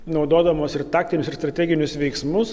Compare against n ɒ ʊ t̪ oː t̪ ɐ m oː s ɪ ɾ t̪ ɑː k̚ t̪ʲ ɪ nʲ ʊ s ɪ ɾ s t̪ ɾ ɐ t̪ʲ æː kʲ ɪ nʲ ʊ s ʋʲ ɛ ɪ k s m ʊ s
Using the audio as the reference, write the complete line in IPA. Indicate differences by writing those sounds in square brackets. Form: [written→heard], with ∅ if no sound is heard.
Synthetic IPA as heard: n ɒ ʊ [t̪→d̪] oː [t̪→d̪] ɐ m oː s ɪ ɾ t̪ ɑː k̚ t̪ʲ ɪ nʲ ʊ s ɪ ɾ s t̪ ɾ ɐ t̪ʲ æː [kʲ→ɡʲ] ɪ nʲ ʊ s ʋʲ ɛ ɪ k s m ʊ s

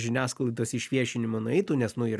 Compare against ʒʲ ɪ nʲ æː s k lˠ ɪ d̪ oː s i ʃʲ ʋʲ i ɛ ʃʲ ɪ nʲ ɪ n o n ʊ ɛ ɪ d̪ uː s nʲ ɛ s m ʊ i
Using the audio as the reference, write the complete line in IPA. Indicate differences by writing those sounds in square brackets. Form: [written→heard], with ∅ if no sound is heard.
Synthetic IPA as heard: ʒʲ ɪ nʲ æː s k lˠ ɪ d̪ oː s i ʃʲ ʋʲ i ɛ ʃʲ ɪ nʲ ɪ [n→m] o n ʊ ɛ ɪ [d̪→t̪] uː [s→∅] nʲ ɛ s [m→n] ʊ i

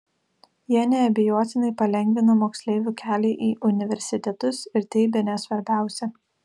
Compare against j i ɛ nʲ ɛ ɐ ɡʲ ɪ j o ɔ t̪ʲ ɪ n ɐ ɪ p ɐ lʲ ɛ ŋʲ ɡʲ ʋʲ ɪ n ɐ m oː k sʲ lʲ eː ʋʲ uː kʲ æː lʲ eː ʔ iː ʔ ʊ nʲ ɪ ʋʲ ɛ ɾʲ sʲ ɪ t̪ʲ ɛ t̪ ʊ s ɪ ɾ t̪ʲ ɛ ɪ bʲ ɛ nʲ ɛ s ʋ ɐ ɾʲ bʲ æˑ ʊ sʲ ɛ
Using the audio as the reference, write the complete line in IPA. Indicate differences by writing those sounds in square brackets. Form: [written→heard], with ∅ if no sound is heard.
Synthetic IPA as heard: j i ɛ nʲ ɛ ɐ [ɡʲ→bʲ] ɪ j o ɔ t̪ʲ ɪ n ɐ ɪ p ɐ lʲ ɛ ŋʲ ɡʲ ʋʲ ɪ n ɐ m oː k sʲ lʲ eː ʋʲ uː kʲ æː lʲ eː ʔ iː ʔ ʊ nʲ ɪ ʋʲ ɛ ɾʲ sʲ ɪ t̪ʲ ɛ t̪ ʊ s ɪ ɾ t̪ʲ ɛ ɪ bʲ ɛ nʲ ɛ s ʋ ɐ ɾʲ bʲ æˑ ʊ sʲ ɛ

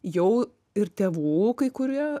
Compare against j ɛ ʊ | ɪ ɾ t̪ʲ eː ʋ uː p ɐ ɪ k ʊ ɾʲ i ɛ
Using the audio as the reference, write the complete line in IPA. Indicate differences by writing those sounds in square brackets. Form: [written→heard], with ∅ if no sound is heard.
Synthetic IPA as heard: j ɛ ʊ | ɪ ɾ t̪ʲ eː ʋ uː [p→k] ɐ ɪ k ʊ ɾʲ i ɛ

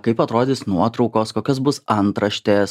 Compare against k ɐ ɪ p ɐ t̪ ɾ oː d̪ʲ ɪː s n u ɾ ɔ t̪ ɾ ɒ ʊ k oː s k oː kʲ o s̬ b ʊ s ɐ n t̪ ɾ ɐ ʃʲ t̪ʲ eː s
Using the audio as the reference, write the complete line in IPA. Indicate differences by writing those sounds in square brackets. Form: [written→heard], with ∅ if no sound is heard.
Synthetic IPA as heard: k ɐ ɪ p ɐ t̪ ɾ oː d̪ʲ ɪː s n u [ɾ→∅] ɔ t̪ ɾ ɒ ʊ k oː s k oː kʲ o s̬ b ʊ s ɐ n t̪ ɾ ɐ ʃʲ t̪ʲ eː s

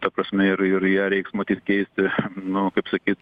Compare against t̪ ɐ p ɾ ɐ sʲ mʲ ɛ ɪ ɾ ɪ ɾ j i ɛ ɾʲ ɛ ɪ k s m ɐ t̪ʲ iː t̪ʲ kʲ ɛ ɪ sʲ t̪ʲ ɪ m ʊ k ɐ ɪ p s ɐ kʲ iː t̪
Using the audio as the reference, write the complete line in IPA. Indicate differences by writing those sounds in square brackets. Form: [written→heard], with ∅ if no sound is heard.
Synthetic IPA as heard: t̪ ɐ p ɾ ɐ sʲ mʲ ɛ ɪ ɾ ɪ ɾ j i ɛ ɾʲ ɛ ɪ k s m ɐ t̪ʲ iː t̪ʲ kʲ ɛ ɪ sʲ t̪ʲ ɪ [m→n] ʊ k ɐ ɪ p s ɐ kʲ iː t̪

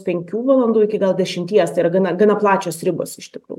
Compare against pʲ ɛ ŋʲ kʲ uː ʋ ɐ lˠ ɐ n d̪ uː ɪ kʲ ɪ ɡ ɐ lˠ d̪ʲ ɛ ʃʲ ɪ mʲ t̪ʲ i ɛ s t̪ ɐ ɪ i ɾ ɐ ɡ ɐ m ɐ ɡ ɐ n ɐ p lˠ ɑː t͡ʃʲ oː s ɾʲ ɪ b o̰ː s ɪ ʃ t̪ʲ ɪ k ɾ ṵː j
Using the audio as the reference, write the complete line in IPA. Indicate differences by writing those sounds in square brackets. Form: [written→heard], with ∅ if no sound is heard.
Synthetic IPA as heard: pʲ ɛ ŋʲ kʲ uː ʋ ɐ lˠ ɐ n d̪ uː ɪ kʲ ɪ ɡ ɐ lˠ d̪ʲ ɛ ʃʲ ɪ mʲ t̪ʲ i ɛ s t̪ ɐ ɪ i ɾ ɐ ɡ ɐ [m→n] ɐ ɡ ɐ n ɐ p lˠ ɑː t͡ʃʲ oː s ɾʲ ɪ b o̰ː s ɪ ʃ t̪ʲ ɪ k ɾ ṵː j

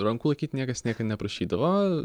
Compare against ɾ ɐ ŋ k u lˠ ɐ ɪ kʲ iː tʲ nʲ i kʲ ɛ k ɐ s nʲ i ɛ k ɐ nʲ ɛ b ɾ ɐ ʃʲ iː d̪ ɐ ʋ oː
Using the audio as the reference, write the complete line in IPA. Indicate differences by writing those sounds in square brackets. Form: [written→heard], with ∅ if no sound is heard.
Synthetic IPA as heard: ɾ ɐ ŋ k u lˠ ɐ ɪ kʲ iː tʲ nʲ i [kʲ→∅] ɛ k ɐ s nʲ i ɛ k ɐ nʲ ɛ [b→p] ɾ ɐ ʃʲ iː d̪ ɐ ʋ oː

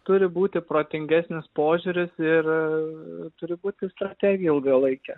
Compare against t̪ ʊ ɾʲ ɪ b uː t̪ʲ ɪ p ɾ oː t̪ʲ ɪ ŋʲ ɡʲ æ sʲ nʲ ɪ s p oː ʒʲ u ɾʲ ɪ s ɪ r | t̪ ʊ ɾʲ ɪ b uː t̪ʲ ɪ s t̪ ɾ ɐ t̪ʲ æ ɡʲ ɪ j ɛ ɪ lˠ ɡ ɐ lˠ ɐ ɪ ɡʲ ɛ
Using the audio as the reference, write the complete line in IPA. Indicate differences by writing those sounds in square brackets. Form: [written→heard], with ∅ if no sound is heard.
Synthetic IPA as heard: t̪ ʊ ɾʲ ɪ b uː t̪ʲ ɪ p ɾ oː t̪ʲ ɪ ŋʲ ɡʲ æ sʲ nʲ ɪ s p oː ʒʲ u ɾʲ ɪ s ɪ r | t̪ ʊ ɾʲ ɪ b uː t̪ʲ ɪ s t̪ ɾ ɐ t̪ʲ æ ɡʲ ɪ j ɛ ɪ lˠ ɡ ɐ lˠ ɐ ɪ [ɡʲ→kʲ] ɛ

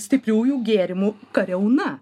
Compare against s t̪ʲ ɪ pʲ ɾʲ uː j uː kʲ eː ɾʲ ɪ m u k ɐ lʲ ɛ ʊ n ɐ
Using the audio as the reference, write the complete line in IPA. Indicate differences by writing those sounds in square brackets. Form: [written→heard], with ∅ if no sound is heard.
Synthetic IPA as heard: s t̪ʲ ɪ pʲ ɾʲ uː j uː [kʲ→ɡʲ] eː ɾʲ ɪ m u k ɐ [lʲ→ɾʲ] ɛ ʊ n ɐ

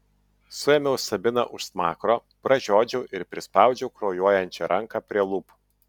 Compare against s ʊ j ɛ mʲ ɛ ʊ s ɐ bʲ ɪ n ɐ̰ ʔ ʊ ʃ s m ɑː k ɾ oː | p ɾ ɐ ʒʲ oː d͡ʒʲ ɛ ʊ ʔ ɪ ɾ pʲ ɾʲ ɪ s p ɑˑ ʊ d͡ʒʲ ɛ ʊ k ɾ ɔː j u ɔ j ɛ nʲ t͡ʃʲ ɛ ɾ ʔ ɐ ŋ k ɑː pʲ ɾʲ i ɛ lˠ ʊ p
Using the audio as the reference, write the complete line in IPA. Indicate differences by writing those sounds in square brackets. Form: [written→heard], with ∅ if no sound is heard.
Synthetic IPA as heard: s ʊ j ɛ mʲ ɛ ʊ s ɐ bʲ ɪ n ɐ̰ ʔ ʊ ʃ s m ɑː k ɾ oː | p ɾ ɐ ʒʲ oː d͡ʒʲ ɛ ʊ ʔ ɪ ɾ pʲ ɾʲ ɪ s p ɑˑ ʊ d͡ʒʲ ɛ ʊ k ɾ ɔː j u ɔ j ɛ nʲ t͡ʃʲ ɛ ɾ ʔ ɐ ŋ k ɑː pʲ ɾʲ i ɛ lˠ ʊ p

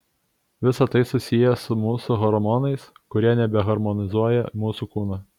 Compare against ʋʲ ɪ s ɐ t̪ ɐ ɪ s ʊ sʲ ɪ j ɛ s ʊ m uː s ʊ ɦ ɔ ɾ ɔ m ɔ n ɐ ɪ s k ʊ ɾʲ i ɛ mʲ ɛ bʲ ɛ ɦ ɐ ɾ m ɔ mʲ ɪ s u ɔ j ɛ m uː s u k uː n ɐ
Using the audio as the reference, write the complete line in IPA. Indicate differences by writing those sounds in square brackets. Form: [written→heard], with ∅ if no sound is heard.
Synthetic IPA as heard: ʋʲ ɪ s ɐ t̪ ɐ ɪ s ʊ sʲ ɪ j ɛ s ʊ m uː s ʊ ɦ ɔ ɾ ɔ m ɔ n ɐ ɪ s k ʊ ɾʲ i ɛ [mʲ→nʲ] ɛ bʲ ɛ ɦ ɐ ɾ m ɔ [mʲ→nʲ] ɪ [s→z] u ɔ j ɛ m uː s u k uː n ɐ

